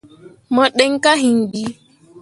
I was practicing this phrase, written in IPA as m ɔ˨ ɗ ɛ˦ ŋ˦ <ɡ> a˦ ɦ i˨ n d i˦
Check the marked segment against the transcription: incorrect: k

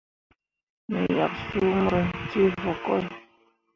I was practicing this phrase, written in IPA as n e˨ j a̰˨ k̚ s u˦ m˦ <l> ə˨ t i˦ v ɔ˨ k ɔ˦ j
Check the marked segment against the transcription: incorrect: ɾ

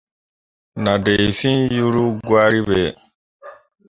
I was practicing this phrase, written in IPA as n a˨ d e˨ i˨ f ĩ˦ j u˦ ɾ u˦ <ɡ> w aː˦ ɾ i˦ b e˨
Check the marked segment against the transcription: correct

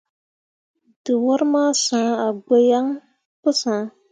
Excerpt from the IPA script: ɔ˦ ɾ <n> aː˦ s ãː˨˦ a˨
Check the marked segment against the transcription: incorrect: m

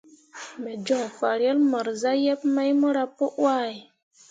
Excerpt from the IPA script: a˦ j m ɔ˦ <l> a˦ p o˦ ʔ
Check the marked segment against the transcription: incorrect: ɾ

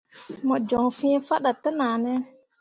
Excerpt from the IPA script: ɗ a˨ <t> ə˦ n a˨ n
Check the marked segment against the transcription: correct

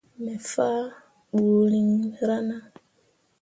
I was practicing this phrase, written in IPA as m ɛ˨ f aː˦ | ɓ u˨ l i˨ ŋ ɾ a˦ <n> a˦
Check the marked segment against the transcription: correct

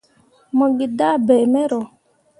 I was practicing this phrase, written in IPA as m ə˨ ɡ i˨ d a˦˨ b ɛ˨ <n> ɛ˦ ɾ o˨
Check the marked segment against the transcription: incorrect: m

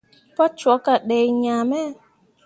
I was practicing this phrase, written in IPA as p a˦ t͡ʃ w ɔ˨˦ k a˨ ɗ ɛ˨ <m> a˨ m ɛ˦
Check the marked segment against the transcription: incorrect: ɲ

